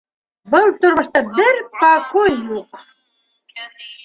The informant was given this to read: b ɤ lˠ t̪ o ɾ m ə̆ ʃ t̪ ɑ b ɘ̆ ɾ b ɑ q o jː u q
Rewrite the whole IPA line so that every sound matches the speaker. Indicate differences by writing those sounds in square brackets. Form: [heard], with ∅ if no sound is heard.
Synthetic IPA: b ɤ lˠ t̪ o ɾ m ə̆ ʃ t̪ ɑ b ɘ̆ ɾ [p] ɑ [k] o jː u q